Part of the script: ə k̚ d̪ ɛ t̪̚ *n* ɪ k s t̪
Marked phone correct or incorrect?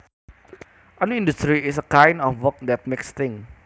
incorrect